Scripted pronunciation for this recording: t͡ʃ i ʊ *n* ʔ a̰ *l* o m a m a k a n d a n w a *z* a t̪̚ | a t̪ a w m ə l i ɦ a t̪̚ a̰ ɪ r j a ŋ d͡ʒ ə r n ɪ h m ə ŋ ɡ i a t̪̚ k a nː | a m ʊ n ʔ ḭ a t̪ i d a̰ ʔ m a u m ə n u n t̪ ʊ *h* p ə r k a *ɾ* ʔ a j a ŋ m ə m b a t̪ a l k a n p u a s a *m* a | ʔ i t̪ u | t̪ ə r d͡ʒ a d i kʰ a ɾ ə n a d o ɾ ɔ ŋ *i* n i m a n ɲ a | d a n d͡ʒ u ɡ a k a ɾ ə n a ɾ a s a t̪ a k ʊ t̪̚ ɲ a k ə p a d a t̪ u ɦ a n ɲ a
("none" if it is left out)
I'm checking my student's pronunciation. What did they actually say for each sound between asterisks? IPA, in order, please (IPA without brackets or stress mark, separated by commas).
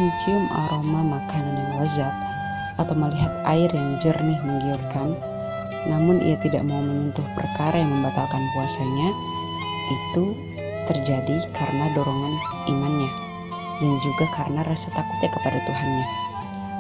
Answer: m, ɾ, z, h, ɾ, ɲ, a